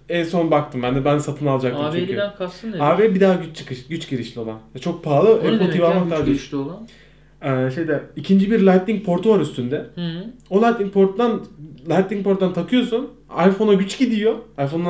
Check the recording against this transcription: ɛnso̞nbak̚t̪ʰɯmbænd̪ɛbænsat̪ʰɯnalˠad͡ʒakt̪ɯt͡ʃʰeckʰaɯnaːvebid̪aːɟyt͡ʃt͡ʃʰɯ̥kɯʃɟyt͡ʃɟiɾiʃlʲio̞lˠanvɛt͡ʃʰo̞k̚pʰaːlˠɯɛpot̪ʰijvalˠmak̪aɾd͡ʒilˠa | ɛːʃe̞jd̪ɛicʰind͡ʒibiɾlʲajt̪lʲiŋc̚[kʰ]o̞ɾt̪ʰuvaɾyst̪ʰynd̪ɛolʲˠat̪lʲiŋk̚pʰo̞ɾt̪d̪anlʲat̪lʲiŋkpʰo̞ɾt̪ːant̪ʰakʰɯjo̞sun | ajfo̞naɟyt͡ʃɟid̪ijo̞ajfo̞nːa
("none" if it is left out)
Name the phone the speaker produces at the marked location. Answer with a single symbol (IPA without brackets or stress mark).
pʰ